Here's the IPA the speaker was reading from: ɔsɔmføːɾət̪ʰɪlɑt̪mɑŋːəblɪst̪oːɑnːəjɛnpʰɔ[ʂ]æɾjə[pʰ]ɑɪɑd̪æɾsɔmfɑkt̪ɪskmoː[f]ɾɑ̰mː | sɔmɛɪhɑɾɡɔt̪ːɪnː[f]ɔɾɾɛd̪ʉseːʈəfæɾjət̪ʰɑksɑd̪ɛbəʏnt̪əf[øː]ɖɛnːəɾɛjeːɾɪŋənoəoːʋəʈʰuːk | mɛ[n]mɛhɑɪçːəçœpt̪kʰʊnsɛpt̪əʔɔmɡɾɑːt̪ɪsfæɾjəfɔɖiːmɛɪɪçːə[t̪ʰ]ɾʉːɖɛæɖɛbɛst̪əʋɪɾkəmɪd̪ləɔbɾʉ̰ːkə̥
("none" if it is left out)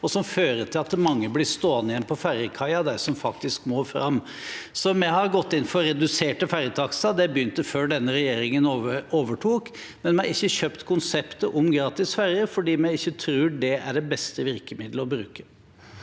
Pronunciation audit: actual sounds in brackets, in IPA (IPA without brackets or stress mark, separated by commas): f, kʰ, f, f, øː, n, t̪ʰ